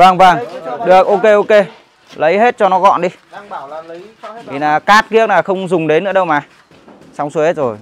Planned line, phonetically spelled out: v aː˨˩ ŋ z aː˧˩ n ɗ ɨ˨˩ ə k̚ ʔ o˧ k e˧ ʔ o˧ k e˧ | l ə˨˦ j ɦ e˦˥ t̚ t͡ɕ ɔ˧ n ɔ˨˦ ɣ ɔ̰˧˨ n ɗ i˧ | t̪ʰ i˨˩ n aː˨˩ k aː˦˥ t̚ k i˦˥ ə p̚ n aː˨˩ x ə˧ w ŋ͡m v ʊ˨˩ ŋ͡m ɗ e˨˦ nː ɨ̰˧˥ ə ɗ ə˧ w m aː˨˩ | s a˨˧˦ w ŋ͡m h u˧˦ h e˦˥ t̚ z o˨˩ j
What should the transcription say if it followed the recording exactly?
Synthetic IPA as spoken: v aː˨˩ ŋ v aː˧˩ ŋ ɗ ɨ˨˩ ə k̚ ʔ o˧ k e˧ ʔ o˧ k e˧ | l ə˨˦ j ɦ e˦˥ t̚ t͡ɕ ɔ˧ n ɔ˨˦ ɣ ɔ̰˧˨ n ɗ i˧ | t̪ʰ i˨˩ n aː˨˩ k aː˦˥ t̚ k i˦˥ ə k̚ n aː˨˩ x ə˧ w ŋ͡m z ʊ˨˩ ŋ͡m ɗ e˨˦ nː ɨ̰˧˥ ə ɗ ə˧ w m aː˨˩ | s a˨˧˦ w ŋ͡m s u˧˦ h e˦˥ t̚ z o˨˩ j